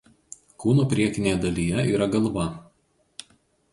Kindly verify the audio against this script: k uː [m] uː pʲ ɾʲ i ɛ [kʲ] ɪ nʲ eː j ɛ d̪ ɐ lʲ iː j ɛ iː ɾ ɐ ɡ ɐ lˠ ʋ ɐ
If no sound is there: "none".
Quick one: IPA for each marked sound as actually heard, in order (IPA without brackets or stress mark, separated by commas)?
n, kʲ